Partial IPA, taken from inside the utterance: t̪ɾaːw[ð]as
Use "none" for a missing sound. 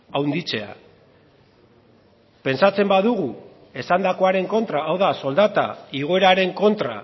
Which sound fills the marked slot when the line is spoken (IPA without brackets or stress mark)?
ð